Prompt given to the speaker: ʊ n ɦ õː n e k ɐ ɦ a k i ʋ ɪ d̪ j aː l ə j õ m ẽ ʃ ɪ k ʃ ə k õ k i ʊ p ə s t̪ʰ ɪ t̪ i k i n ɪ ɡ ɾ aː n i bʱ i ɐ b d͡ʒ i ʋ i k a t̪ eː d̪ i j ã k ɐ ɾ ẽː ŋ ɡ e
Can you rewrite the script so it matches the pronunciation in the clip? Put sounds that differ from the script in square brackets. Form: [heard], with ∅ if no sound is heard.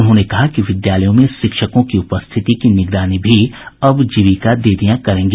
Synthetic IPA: ʊ n ɦ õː n e k ɐ ɦ a k i ʋ ɪ d̪ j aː l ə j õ m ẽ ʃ ɪ k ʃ ə k õ k i ʊ p ə s t̪ʰ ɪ t̪ i k i n ɪ ɡ ɾ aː n i bʱ i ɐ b d͡ʒ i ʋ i k a [d̪] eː d̪ i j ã k ɐ ɾ ẽː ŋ ɡ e